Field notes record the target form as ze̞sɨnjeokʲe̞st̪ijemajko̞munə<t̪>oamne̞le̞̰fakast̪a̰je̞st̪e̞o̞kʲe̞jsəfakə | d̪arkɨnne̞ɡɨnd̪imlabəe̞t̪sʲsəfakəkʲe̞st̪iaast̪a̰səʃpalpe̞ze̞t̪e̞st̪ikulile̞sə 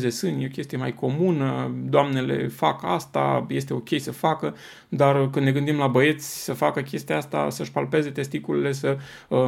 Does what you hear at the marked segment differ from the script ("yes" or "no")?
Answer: yes